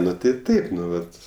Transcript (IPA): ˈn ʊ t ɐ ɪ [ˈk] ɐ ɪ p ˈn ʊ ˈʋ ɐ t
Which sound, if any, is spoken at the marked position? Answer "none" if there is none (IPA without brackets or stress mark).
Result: t